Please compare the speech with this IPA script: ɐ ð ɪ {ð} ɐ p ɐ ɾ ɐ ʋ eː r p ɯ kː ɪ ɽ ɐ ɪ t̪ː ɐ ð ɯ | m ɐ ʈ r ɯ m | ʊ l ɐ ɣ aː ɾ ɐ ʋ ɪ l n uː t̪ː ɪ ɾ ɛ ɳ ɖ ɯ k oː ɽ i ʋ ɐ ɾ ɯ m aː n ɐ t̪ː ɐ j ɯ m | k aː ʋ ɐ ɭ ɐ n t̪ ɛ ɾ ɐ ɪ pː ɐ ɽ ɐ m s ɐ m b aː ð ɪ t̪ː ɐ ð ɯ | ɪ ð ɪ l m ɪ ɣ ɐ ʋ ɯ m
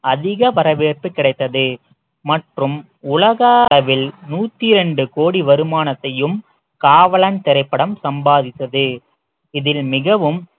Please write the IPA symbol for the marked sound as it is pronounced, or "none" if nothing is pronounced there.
ɣ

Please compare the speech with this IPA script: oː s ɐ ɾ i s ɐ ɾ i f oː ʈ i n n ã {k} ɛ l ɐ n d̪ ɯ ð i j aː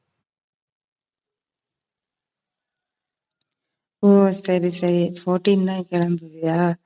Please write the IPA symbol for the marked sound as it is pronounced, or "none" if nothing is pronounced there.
k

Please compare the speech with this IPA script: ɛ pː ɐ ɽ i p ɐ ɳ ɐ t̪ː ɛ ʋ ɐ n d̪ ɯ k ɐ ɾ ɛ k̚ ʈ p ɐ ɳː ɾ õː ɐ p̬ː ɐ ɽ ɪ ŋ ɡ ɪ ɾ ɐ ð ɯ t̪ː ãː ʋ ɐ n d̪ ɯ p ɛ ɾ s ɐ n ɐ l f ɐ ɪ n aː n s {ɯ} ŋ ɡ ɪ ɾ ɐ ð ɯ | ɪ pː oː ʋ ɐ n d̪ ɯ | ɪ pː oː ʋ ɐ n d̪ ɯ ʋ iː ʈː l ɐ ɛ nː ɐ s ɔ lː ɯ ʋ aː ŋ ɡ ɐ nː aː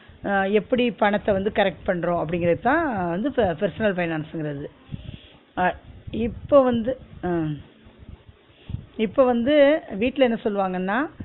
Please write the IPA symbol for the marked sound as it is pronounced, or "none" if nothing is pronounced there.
ɯ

